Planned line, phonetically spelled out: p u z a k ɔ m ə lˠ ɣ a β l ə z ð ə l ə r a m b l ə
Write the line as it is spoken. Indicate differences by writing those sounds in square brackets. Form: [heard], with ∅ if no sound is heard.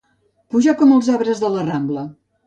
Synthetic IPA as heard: p u [ʒ] a k ɔ m ə lˠ [z] a β [ɾ] ə z ð ə l ə r a m b l ə